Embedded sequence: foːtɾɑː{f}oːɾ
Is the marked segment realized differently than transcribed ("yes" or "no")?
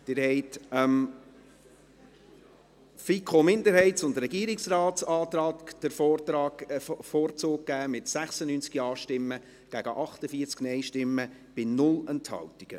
no